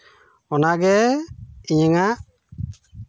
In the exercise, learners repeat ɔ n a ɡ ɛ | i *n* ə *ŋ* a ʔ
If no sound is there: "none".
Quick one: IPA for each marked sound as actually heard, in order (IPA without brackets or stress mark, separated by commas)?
ɲ, ŋ